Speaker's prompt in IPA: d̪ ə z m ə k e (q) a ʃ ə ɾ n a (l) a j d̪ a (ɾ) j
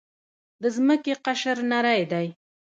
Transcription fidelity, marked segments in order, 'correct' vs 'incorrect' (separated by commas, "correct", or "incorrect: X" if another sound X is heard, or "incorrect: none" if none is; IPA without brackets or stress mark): correct, incorrect: ɾ, incorrect: none